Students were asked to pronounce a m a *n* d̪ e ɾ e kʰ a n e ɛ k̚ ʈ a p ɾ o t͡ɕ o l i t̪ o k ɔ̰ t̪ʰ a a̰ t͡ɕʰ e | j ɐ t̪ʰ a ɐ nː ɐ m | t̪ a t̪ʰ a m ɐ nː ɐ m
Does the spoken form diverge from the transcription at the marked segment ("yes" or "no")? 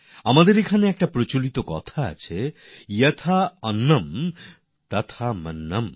yes